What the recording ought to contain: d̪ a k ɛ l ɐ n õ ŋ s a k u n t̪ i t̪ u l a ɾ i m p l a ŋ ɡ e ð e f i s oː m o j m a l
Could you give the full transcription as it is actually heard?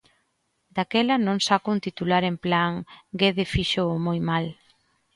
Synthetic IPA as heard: d̪ a k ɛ l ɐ n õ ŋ s a k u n t̪ i t̪ u l a ɾ e m p l a ŋ ɡ e ð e f i ʃ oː m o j m a l